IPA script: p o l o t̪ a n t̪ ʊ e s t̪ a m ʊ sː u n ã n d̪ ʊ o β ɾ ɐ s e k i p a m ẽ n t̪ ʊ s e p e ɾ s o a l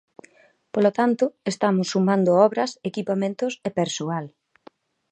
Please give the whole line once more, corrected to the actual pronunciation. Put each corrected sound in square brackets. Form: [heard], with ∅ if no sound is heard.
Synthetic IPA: p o l o t̪ a n t̪ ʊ e s t̪ a m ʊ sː u [m] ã n d̪ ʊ [ɔ] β ɾ ɐ s e k i p a m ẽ n t̪ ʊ s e p e ɾ s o a l